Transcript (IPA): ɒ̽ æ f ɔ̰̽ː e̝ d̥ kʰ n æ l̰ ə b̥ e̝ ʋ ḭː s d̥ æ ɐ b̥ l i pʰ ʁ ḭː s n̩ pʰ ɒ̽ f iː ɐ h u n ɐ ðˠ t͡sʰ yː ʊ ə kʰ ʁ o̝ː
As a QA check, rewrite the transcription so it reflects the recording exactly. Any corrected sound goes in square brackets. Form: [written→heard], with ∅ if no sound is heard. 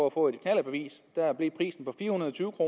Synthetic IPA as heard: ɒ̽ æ f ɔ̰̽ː e̝ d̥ kʰ n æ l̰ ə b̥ e̝ ʋ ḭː s d̥ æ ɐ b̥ l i pʰ ʁ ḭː s n̩ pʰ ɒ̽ f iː ɐ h u n ɐ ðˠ t͡sʰ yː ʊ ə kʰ ʁ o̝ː

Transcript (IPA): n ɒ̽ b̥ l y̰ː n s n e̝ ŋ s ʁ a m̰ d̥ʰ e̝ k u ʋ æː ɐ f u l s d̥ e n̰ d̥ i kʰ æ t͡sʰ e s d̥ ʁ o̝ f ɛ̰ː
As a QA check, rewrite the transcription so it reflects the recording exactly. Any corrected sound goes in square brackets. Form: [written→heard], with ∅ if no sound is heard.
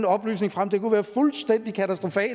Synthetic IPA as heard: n ɒ̽ b̥ l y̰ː [n→∅] s n e̝ ŋ [s→f] ʁ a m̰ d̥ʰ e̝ k u ʋ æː ɐ f u l s d̥ e n̰ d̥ i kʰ æ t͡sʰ [e→æ] s d̥ ʁ o̝ f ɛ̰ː

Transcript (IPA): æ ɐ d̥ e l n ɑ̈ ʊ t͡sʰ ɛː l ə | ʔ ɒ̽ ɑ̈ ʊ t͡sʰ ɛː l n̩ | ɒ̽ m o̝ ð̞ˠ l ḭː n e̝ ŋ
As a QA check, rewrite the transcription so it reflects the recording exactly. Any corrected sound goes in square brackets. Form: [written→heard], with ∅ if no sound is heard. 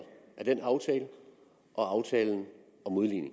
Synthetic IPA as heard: æ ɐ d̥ e [l→∅] n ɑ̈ ʊ t͡sʰ ɛː l ə | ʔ ɒ̽ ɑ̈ ʊ t͡sʰ ɛː l n̩ | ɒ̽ m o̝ ð̞ˠ l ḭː n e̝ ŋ

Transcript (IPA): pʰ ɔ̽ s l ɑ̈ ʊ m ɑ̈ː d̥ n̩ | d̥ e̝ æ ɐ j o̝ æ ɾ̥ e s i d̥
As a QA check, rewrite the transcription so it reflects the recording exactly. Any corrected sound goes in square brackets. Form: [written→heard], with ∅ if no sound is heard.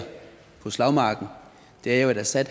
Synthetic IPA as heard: pʰ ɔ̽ s l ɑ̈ ʊ m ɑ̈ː [d̥→ɡ̥] n̩ | d̥ e̝ æ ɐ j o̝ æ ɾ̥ [e→æ] s [i→æ] d̥

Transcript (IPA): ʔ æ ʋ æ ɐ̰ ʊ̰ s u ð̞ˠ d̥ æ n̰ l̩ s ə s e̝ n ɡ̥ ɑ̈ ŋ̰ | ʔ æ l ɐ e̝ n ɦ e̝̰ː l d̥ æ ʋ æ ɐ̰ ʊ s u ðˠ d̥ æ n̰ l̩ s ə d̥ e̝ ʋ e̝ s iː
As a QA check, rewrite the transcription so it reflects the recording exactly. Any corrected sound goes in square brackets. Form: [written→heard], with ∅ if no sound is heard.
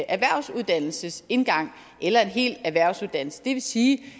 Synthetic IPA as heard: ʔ æ ʋ æ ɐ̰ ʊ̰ s u ð̞ˠ d̥ æ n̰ l̩ s ə s e̝ n ɡ̥ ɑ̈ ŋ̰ | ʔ [æ→e] l ɐ e̝ n ɦ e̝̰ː l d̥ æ ʋ æ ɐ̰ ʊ s u ðˠ d̥ æ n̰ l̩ s ə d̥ e̝ ʋ e̝ s iː

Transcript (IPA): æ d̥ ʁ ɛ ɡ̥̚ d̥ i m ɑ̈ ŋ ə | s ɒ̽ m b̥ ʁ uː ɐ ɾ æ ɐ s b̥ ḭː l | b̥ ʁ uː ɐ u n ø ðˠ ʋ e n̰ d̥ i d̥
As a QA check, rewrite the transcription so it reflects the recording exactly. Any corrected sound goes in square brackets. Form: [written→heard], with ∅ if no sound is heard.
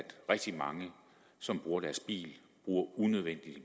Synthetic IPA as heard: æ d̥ ʁ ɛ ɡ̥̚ d̥ i m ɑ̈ ŋ ə | s ɒ̽ m b̥ ʁ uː ɐ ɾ æ ɐ s b̥ ḭː l | b̥ ʁ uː ɐ u n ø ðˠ ʋ e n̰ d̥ i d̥

